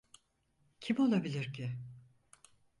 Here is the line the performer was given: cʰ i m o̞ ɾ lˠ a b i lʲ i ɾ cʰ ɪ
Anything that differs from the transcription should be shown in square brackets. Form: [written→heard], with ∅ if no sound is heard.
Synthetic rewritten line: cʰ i m o̞ [ɾ→∅] lˠ a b i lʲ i ɾ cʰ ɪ

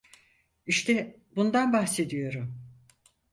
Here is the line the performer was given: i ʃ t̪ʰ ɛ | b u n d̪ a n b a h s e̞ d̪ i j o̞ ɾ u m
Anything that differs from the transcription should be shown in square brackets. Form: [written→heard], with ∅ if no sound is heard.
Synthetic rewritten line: i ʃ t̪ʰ ɛ | b u n d̪ a n b a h s e̞ d̪ i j o̞ ɾ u m

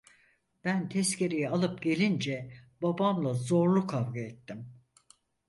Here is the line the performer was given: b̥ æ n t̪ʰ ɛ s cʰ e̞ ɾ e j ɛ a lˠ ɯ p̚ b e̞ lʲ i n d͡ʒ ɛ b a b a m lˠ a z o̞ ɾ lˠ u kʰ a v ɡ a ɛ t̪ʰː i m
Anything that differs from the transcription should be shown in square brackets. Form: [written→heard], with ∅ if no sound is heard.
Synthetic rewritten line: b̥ æ n t̪ʰ ɛ s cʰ e̞ ɾ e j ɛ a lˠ ɯ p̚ [b→ɟ] e̞ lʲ i n d͡ʒ ɛ b a b a m lˠ a z o̞ ɾ lˠ u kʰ a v ɡ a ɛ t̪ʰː i m

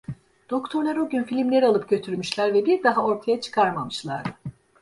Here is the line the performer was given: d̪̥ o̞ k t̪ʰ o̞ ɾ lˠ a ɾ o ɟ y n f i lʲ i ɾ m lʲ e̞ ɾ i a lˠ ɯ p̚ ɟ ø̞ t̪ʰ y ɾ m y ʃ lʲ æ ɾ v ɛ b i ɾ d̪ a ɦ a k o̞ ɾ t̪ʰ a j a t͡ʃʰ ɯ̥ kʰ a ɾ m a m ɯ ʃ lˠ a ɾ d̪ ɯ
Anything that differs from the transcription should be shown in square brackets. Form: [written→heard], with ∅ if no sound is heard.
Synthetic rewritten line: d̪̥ o̞ k t̪ʰ o̞ ɾ lˠ a ɾ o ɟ y n f i lʲ i [ɾ→∅] m lʲ e̞ ɾ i a lˠ ɯ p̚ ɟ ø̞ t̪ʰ y ɾ m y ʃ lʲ æ ɾ v ɛ b i ɾ d̪ a ɦ a [k→∅] o̞ ɾ t̪ʰ a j a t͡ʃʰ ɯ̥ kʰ a ɾ m a m ɯ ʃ lˠ a ɾ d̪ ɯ

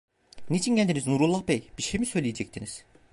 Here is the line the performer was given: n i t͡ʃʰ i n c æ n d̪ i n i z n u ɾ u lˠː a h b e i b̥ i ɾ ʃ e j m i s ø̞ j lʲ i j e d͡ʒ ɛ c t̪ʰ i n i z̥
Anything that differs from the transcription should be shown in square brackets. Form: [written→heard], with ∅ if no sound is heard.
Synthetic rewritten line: n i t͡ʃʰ i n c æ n d̪ i n i z n u ɾ u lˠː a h b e [i→j] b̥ i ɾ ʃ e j m i s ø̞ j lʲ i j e d͡ʒ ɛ c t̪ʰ i n i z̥

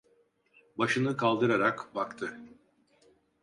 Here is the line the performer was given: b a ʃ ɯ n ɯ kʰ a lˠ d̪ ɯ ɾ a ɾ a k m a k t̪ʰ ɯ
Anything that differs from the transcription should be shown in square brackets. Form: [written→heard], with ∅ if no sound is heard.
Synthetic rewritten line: b a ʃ ɯ n ɯ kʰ a lˠ d̪ ɯ ɾ a ɾ a k [m→b] a k t̪ʰ ɯ

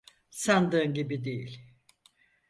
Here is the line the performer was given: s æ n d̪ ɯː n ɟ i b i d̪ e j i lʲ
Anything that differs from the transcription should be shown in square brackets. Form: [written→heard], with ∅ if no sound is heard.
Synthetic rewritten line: s [æ→a] n d̪ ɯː n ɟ i b i d̪ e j i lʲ

